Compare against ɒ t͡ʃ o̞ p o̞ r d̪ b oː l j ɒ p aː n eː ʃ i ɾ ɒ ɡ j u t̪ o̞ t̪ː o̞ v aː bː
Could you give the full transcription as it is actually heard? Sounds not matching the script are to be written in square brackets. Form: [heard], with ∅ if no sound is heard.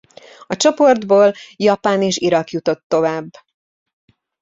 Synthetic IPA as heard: ɒ t͡ʃ o̞ p o̞ r d̪ b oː l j ɒ p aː n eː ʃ i ɾ ɒ [k] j u t̪ o̞ t̪ː o̞ v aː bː